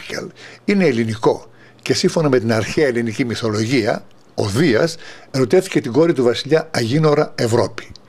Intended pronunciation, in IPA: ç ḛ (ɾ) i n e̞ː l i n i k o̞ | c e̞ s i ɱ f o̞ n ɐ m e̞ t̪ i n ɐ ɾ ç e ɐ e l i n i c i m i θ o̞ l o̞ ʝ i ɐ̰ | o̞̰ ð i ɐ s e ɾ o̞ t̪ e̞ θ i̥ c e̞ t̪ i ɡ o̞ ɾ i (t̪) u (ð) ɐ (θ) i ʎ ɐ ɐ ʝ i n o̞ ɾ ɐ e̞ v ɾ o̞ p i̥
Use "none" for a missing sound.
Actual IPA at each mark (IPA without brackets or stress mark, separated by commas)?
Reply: l, t̪, v, s